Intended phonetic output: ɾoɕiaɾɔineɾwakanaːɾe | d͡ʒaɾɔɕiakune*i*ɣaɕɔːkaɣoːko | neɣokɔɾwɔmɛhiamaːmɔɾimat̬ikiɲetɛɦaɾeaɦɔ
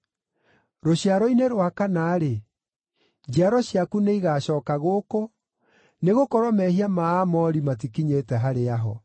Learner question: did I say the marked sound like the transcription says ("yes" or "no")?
yes